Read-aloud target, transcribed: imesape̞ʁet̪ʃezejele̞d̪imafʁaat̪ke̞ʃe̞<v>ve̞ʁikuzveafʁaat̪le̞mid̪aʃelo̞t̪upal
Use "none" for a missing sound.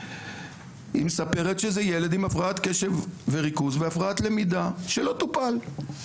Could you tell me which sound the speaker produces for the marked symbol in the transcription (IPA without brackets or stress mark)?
v